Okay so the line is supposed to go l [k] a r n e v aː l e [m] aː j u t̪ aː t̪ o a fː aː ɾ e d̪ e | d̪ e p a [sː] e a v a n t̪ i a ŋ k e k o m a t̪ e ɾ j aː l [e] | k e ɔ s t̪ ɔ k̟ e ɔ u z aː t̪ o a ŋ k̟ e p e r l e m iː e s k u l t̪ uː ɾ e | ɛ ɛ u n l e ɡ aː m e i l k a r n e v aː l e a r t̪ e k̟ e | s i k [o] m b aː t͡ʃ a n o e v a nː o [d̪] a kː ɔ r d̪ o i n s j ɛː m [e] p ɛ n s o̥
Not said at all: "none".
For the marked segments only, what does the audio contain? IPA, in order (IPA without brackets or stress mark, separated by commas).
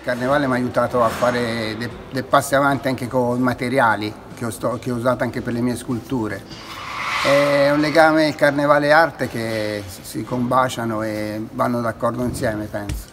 k, m, sː, i, o, d̪, e